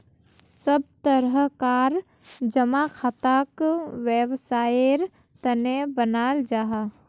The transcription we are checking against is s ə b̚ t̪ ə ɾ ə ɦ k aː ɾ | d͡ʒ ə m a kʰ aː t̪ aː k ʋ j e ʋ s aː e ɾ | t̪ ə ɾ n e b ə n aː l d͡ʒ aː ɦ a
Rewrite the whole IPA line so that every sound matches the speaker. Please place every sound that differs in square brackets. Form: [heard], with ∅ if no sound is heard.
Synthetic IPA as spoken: s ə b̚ t̪ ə ɾ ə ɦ k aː ɾ | d͡ʒ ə m a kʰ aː t̪ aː k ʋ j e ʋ s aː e ɾ | t̪ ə [∅] n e b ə n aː l d͡ʒ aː ɦ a

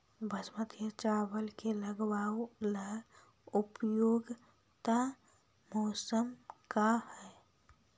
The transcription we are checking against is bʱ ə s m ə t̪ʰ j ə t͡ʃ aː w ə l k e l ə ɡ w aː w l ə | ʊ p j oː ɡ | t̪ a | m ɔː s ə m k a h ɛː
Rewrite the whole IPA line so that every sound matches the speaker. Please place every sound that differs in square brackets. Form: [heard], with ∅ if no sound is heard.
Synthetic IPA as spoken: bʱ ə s m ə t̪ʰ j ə t͡ʃ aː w ə l k e l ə ɡ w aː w l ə | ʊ p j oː ɡ | t̪ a | m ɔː s ə m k a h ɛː

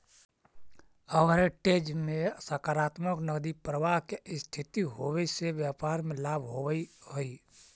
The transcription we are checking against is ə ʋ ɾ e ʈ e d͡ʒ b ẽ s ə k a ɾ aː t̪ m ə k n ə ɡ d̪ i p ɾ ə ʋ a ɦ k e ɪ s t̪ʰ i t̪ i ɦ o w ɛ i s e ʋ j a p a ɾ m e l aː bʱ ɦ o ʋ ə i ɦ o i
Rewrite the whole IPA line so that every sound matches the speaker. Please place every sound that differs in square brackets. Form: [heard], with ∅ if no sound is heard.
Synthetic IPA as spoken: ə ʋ ɾ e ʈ e d͡ʒ [m] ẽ s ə k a ɾ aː t̪ m ə k n ə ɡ d̪ i p ɾ ə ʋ a ɦ k e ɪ s t̪ʰ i t̪ i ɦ o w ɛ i s e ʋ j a p a ɾ m e l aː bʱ ɦ o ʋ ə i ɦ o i

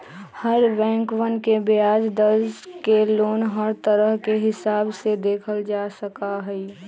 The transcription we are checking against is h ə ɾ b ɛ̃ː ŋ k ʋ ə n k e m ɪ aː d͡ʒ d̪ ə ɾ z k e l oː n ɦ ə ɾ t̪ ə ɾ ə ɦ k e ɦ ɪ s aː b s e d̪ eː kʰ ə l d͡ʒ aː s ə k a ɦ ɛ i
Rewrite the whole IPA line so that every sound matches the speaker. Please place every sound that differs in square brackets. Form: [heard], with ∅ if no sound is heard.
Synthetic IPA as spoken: h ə ɾ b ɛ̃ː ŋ k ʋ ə n k e [b] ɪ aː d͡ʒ d̪ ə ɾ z k e l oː n ɦ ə ɾ t̪ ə ɾ ə ɦ k e ɦ ɪ s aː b s e d̪ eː kʰ ə l d͡ʒ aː s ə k a ɦ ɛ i

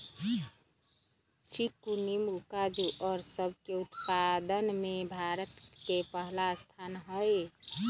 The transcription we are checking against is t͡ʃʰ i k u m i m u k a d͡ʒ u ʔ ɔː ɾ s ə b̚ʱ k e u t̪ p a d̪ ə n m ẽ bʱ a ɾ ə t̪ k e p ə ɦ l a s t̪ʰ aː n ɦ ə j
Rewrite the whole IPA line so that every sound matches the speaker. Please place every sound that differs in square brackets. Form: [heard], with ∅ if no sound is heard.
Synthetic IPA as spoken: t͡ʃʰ i k u [n] i m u k a d͡ʒ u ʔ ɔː ɾ s ə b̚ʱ k e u t̪ p a d̪ ə n m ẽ bʱ a ɾ ə t̪ k e p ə ɦ l a s t̪ʰ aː n ɦ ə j

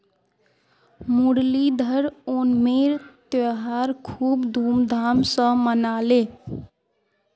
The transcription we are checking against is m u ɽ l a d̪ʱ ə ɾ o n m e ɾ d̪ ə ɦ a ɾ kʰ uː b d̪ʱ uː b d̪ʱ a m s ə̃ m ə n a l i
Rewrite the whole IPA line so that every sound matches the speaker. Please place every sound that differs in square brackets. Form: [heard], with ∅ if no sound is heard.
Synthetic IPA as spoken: m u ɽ l [i] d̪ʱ ə ɾ o n m e ɾ [t̪] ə ɦ a ɾ kʰ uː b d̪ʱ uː [m] d̪ʱ a m s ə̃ m ə n a l [e]

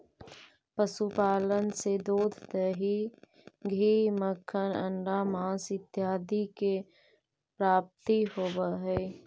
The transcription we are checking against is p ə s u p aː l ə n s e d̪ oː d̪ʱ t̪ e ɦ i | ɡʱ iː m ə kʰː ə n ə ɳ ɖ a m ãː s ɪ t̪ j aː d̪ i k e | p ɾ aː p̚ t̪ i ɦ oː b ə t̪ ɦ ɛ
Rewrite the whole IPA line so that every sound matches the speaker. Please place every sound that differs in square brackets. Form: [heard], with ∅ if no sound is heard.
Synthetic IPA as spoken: p ə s u p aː l ə n s e d̪ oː d̪ʱ t̪ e ɦ i | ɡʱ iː m ə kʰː ə n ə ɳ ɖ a m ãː s ɪ t̪ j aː d̪ i k e | p ɾ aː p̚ t̪ i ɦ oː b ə [∅] ɦ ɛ

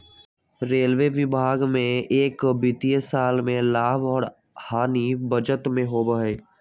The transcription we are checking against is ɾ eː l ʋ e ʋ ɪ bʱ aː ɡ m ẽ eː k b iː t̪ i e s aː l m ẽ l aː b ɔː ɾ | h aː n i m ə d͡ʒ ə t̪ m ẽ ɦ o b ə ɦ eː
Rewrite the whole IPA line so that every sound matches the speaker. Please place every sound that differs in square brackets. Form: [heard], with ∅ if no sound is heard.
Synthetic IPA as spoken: ɾ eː l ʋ e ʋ ɪ bʱ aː ɡ m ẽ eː k b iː t̪ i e s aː l m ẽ l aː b ɔː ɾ | h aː n i [b] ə d͡ʒ ə t̪ m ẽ ɦ o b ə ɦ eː

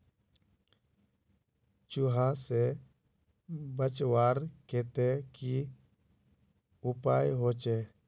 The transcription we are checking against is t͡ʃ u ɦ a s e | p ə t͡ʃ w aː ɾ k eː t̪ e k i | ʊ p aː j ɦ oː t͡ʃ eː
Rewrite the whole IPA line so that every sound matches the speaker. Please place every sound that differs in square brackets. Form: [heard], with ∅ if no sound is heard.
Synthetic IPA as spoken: t͡ʃ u ɦ a s e | [b] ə t͡ʃ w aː ɾ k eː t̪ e k i | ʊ p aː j ɦ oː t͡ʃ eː

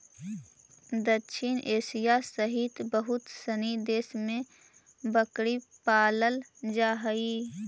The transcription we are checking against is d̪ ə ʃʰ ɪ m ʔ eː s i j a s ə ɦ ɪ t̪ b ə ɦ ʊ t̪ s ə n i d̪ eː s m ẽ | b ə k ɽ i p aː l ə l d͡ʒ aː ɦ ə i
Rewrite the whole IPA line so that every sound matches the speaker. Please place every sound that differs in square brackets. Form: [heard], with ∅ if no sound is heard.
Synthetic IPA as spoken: d̪ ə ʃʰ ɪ [n] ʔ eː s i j a s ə ɦ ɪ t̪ b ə ɦ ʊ t̪ s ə n i d̪ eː s m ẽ | b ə k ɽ i p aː l ə l d͡ʒ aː ɦ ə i

